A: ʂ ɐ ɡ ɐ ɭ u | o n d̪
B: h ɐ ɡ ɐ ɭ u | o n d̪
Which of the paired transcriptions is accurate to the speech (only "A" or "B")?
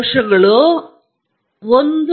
A